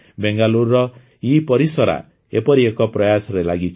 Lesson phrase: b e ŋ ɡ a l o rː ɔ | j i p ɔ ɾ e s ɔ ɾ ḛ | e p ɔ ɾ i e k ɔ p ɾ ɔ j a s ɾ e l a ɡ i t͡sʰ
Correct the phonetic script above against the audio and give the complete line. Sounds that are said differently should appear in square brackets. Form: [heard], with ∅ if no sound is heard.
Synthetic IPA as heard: b e ŋ ɡ a l [u] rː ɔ | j i p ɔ ɾ [i] s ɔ ɾ [a̰] | e p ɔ ɾ i e k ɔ p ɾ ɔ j a s ɾ e l a ɡ i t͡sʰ